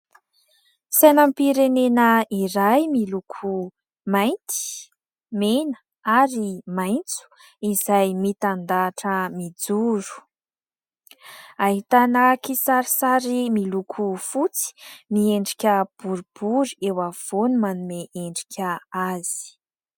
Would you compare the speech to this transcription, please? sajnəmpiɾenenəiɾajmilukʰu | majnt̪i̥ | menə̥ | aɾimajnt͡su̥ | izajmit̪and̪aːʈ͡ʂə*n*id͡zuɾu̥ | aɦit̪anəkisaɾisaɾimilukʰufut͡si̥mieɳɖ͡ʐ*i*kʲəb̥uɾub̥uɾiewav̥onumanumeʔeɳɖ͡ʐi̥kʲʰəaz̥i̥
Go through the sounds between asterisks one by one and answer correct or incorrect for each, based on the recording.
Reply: incorrect: m, correct

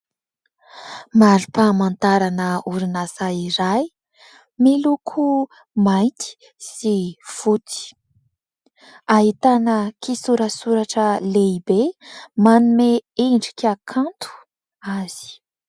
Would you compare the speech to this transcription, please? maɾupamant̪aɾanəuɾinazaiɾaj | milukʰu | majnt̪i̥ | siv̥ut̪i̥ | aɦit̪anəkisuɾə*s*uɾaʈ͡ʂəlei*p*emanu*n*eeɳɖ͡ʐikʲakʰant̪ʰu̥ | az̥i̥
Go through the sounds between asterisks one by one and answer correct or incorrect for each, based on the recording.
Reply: correct, incorrect: b, incorrect: m

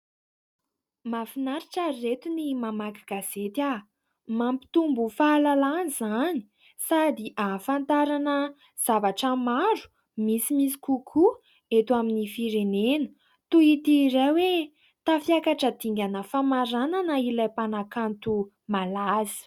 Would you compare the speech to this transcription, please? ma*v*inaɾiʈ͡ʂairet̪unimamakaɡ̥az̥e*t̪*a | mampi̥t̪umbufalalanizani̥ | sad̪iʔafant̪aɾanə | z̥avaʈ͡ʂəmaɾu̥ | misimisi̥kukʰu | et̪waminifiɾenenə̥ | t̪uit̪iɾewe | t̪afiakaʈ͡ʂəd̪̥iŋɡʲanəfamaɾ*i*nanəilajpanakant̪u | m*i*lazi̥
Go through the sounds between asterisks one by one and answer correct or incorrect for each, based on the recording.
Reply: incorrect: f, correct, incorrect: a, incorrect: a

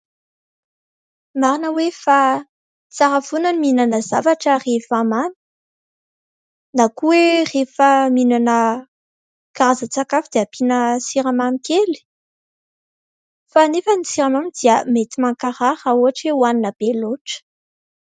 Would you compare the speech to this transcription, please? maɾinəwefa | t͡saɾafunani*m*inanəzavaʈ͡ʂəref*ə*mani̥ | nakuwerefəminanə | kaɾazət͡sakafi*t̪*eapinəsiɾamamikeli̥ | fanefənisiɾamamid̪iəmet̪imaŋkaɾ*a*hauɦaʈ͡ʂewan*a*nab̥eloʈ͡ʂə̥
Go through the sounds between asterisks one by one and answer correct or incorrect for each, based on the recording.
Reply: correct, incorrect: a, incorrect: d̪, correct, incorrect: i

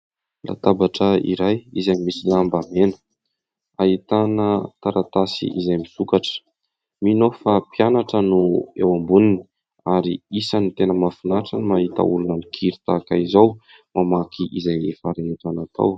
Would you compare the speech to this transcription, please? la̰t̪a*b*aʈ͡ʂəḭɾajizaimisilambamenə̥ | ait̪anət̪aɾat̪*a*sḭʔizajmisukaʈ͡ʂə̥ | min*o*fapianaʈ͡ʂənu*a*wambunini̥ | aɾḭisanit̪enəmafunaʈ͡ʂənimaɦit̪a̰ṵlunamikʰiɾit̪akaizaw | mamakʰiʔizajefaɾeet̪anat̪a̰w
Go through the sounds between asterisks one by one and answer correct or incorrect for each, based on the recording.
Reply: correct, correct, correct, incorrect: e

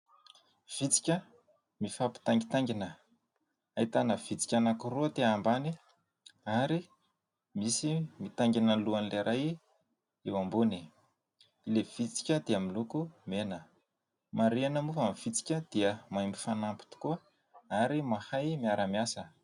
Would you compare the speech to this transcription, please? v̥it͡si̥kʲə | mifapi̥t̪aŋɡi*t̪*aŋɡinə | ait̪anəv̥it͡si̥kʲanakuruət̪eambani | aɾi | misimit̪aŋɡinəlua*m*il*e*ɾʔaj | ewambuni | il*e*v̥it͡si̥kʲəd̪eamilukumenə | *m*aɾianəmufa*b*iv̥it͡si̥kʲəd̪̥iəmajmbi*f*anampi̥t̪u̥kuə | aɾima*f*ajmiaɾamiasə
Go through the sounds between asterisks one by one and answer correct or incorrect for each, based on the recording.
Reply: correct, incorrect: n, correct, correct, correct, incorrect: m, correct, incorrect: h

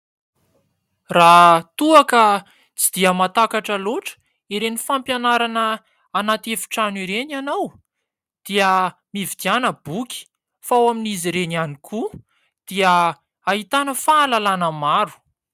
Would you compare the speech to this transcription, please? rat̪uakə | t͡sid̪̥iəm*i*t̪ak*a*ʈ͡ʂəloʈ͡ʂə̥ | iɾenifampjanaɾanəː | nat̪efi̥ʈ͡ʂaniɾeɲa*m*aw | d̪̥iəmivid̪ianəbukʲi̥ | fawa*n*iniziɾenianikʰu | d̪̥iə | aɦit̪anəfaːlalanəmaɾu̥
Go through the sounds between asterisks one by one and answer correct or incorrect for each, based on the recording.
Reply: incorrect: a, correct, incorrect: n, incorrect: m

